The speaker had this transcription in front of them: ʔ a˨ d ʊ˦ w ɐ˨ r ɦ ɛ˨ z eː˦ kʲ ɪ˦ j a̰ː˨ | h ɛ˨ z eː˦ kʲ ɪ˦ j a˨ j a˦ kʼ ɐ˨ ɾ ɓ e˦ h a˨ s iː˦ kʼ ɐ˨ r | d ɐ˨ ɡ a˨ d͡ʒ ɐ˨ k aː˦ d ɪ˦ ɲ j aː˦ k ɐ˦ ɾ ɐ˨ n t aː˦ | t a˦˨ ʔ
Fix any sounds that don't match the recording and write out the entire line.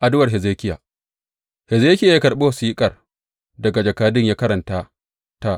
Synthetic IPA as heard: ʔ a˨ d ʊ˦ w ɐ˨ r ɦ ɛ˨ z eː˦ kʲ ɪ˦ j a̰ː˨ | h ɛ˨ z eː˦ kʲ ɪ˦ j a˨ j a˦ k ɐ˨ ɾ ɓ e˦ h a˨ s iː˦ kʼ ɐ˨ r | d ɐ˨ ɡ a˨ d͡ʒ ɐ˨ k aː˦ d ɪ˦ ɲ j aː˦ k ɐ˦ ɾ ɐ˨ n t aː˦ | t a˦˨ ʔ